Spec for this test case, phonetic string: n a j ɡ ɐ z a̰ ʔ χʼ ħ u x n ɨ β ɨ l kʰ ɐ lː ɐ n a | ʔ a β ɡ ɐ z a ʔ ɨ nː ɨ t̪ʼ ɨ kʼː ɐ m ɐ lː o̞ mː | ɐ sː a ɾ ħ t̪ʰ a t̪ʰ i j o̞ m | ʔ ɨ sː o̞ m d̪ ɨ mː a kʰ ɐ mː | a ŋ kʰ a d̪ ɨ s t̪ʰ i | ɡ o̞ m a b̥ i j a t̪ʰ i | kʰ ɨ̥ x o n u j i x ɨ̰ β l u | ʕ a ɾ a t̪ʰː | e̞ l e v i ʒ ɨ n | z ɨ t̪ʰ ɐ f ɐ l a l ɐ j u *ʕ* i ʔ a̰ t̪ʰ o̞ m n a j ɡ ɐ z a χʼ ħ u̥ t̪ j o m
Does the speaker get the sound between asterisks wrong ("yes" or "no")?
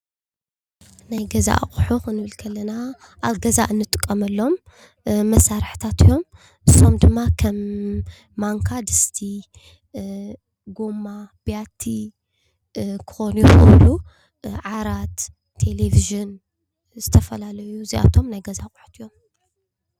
yes